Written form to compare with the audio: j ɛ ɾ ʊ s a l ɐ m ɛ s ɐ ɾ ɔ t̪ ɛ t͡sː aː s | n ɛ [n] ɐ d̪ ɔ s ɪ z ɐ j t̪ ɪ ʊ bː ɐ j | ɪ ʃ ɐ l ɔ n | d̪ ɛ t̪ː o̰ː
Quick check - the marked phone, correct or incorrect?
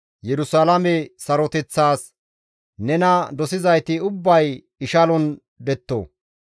correct